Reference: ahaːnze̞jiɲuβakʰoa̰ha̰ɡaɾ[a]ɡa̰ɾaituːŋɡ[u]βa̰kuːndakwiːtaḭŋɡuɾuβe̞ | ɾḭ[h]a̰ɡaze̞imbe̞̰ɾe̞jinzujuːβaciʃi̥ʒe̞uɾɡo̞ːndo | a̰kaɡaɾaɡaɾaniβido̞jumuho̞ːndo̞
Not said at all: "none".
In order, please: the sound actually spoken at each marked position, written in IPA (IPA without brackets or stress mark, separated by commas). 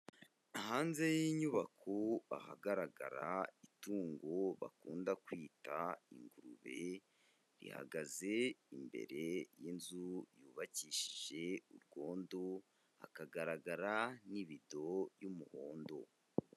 a, o, h